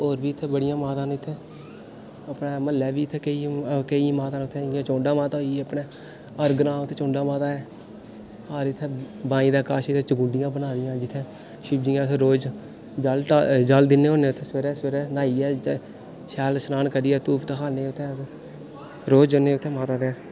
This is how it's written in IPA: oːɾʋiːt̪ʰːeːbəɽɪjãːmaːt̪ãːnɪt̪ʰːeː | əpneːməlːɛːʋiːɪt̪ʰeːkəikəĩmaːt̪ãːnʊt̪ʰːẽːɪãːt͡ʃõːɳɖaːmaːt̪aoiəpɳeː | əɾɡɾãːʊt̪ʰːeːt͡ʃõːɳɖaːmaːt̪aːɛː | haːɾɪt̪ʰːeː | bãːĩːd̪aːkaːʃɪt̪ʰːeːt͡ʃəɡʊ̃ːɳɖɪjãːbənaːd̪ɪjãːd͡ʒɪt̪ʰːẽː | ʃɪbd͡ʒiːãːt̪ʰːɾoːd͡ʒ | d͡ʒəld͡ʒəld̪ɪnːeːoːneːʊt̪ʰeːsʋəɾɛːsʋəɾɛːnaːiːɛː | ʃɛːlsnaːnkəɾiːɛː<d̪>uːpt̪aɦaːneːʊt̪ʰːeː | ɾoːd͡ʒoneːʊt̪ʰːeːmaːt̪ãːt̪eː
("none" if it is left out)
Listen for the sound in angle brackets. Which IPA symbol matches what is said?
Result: t̪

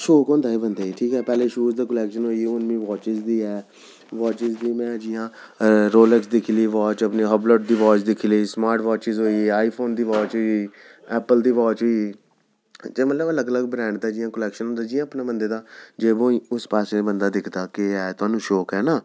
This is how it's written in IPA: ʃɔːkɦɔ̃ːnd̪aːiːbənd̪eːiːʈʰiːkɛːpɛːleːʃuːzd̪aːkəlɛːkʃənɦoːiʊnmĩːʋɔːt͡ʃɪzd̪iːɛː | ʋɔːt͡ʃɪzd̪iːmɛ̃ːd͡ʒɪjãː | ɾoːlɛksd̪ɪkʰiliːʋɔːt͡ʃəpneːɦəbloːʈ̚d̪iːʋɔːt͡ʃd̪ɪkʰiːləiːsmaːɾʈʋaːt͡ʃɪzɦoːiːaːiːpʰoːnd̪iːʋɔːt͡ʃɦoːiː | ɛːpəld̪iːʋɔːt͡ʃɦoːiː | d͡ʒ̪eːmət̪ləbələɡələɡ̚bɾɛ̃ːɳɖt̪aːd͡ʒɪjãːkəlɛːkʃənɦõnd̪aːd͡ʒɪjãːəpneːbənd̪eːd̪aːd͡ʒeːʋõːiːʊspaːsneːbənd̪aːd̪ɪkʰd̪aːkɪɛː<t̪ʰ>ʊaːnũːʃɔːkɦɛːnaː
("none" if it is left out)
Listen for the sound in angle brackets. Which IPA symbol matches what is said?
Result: t̪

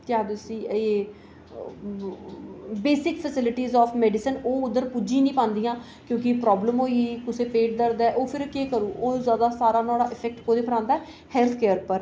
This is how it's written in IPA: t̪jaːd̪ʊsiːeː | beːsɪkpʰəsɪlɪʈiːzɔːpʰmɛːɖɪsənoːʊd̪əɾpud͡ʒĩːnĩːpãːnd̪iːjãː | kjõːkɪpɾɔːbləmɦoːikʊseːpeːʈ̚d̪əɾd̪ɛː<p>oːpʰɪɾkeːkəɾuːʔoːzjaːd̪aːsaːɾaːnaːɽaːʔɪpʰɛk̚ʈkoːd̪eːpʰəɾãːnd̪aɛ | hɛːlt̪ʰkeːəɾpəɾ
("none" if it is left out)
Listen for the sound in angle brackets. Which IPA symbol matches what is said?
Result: ʔ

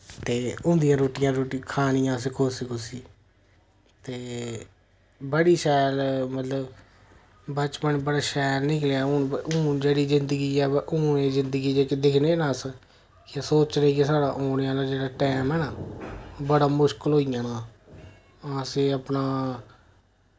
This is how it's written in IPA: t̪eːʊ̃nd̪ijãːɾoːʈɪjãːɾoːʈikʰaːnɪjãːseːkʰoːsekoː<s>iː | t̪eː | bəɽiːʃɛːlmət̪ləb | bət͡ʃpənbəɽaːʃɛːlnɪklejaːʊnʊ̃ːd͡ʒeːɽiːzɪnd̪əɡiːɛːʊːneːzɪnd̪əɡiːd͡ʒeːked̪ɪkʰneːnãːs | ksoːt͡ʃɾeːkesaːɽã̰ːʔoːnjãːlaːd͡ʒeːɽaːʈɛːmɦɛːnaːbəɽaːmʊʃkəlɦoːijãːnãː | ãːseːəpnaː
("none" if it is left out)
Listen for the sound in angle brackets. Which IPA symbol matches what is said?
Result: s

